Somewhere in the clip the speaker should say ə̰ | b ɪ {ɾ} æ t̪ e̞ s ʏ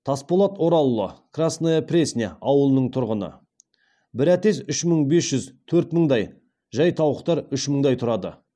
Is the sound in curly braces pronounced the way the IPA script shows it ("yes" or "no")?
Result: yes